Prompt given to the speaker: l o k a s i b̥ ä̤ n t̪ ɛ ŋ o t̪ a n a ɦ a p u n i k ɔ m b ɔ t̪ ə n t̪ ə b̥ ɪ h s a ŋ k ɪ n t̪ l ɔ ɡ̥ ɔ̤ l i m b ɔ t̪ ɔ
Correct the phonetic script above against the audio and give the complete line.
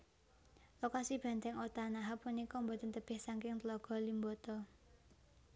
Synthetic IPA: l o k a s i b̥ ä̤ n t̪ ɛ ŋ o t̪ a n a ɦ a p u n i k ɔ m b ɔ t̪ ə n t̪ ə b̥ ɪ h s a ŋ k ɪ ŋ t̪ l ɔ ɡ̥ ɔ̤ l i m b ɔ t̪ ɔ